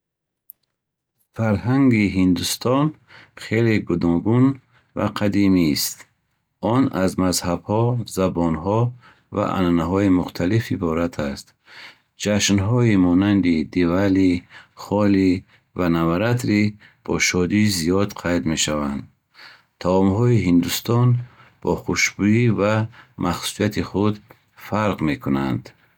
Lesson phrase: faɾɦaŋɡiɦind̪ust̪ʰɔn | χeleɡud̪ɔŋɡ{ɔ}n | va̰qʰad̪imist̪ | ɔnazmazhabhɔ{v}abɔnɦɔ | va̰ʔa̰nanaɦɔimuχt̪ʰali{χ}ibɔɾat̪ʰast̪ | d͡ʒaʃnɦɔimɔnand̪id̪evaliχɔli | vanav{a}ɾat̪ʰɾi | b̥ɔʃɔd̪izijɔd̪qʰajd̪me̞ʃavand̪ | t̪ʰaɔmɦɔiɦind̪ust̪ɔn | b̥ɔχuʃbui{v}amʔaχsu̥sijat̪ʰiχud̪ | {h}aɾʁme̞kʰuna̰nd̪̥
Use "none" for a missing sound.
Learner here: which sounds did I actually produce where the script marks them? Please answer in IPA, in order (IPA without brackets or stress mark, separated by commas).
u, z, f, a, v, f